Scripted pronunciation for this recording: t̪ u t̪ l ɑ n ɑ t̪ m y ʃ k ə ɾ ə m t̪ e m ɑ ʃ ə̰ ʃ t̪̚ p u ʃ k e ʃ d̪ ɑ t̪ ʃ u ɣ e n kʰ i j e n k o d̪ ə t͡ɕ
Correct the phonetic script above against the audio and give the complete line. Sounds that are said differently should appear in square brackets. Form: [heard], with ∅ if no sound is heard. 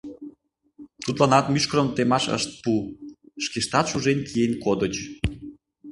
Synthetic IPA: t̪ u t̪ l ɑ n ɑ t̪ m y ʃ k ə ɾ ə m t̪ e m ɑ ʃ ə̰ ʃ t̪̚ p u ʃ k e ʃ [t̪] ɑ t̪ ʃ u [ʒ] e n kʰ i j e n k o d̪ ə t͡ɕ